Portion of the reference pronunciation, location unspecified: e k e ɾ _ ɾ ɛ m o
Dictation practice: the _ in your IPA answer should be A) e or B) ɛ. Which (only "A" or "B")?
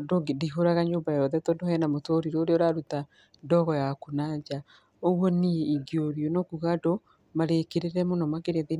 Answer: A